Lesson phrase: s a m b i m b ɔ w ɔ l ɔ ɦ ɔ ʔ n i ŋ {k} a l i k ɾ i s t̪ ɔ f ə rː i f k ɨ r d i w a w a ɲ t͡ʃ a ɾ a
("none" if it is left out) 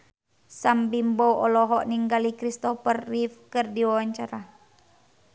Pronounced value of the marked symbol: ɡ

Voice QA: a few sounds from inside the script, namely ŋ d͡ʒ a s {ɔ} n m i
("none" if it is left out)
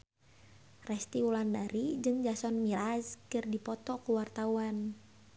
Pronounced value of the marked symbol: ɔ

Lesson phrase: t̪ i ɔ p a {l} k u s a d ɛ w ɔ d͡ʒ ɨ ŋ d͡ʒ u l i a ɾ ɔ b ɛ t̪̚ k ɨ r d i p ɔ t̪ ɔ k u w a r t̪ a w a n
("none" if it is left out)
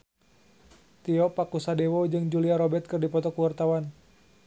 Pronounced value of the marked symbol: none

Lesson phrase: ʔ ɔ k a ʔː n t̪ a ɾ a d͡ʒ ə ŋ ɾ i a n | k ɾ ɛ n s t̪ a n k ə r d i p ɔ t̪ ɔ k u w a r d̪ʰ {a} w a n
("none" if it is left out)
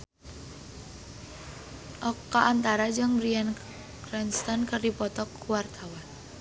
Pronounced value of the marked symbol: a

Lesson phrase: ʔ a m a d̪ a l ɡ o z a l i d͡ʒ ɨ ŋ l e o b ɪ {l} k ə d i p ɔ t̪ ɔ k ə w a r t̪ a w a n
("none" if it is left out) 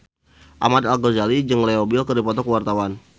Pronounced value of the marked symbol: l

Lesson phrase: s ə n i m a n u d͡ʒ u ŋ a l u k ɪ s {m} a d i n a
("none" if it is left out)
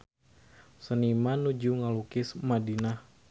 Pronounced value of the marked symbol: m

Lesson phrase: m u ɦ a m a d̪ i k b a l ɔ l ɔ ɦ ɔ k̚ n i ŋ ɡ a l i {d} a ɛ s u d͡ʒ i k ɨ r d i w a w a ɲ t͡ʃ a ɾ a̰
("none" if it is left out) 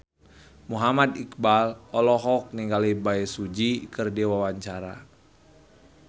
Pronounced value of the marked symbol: b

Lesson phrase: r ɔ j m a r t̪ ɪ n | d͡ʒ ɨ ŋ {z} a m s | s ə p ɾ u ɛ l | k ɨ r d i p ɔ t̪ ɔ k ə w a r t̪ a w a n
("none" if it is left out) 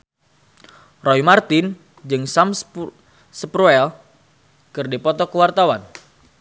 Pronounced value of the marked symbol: s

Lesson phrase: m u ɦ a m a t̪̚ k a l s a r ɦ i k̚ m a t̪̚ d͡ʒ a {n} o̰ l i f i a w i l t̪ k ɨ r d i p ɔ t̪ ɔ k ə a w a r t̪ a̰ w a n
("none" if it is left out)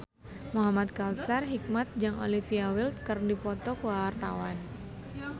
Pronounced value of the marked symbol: ŋ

